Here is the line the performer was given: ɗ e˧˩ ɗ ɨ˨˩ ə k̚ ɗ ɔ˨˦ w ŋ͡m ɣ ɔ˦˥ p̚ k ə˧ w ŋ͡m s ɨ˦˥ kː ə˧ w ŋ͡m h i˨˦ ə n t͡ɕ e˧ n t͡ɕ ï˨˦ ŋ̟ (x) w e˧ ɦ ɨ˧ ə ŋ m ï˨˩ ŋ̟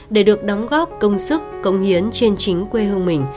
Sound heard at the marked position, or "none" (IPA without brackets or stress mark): k